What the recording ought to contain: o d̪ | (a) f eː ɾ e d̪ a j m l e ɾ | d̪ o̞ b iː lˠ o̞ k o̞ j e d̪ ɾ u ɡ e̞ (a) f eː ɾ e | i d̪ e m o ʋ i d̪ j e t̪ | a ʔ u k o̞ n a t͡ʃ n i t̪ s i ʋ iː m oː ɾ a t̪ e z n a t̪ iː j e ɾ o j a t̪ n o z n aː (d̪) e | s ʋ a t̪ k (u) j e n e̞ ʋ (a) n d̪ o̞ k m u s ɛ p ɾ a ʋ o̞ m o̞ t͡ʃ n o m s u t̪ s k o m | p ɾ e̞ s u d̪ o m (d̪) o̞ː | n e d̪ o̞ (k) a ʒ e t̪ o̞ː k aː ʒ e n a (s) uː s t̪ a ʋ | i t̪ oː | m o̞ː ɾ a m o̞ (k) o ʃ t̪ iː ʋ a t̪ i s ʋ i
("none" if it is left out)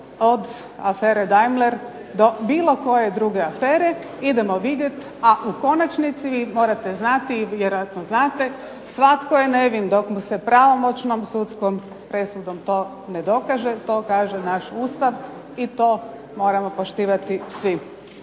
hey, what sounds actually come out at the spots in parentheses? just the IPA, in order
a, a, t̪, o, i, t̪, k, ʃ, p

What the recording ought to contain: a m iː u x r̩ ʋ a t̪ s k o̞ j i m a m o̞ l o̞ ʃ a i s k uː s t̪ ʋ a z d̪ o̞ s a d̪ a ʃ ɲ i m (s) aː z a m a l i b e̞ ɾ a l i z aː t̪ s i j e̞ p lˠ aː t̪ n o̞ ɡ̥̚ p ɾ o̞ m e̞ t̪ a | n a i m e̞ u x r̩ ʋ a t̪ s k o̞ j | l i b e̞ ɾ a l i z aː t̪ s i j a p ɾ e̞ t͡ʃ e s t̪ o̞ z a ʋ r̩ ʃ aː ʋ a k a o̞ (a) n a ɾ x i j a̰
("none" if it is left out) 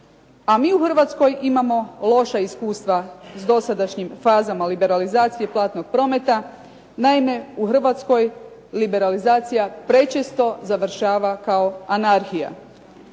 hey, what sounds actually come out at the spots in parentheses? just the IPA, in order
f, a

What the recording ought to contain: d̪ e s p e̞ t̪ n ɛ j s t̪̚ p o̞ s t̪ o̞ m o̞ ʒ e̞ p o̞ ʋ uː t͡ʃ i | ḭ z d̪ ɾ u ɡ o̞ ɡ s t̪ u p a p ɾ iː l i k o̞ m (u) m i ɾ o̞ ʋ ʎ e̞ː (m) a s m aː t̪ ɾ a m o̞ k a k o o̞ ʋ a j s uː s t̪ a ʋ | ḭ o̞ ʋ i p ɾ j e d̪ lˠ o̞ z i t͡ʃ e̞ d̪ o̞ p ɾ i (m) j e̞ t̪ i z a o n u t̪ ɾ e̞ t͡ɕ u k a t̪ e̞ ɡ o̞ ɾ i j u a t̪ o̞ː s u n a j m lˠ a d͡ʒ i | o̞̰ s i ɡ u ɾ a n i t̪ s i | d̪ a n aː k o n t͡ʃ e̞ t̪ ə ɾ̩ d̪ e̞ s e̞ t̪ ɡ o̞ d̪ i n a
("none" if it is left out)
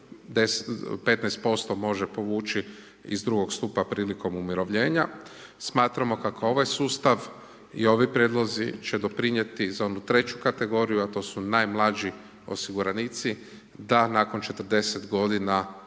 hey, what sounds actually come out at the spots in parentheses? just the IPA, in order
u, ɲ, ɲ

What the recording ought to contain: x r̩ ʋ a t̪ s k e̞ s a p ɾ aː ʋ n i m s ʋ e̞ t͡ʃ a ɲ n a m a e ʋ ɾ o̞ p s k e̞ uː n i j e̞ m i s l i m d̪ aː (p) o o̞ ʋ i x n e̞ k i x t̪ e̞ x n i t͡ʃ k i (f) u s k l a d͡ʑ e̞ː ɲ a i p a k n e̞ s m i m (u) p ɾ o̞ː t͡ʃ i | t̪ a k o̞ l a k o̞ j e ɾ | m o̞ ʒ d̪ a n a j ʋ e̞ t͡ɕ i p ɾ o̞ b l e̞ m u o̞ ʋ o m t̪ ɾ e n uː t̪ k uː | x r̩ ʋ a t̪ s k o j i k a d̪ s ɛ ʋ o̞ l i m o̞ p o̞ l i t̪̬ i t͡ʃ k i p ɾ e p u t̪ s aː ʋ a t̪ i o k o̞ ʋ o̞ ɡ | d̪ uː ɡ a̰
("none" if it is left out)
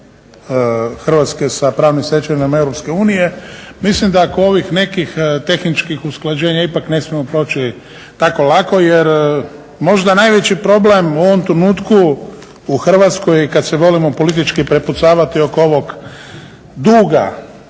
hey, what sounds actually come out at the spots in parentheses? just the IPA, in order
k, x, o

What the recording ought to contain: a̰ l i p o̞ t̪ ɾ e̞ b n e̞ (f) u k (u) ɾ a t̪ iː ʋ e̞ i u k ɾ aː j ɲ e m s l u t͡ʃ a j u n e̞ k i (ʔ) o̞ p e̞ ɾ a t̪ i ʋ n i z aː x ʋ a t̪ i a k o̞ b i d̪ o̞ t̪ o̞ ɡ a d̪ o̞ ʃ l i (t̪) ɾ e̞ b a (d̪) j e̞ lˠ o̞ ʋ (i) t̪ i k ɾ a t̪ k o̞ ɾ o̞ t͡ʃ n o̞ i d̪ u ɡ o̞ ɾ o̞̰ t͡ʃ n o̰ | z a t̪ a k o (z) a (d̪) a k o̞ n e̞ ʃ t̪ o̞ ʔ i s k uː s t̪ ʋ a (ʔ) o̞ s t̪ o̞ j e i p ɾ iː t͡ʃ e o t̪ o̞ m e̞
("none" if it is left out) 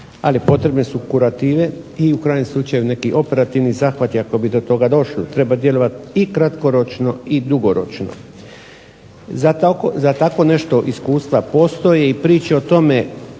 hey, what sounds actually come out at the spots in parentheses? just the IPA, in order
s, u, ʔ, t̪, d̪, a, z, t̪, p

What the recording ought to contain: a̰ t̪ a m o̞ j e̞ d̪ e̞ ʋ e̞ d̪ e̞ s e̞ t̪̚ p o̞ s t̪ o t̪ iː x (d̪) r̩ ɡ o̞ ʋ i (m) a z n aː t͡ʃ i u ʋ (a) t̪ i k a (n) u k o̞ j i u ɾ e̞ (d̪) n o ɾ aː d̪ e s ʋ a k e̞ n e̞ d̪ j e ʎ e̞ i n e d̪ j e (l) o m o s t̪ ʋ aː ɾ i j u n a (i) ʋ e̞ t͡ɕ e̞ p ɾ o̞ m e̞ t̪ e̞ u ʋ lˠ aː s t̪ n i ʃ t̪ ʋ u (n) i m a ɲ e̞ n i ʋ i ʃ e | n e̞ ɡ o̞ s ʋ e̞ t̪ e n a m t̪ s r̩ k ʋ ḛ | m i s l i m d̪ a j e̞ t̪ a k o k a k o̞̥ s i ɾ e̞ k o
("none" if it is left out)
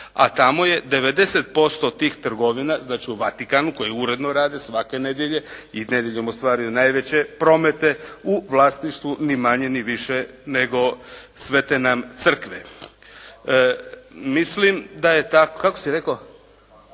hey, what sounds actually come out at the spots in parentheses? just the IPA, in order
t̪, n, a, n, d̪, ʎ, j, n

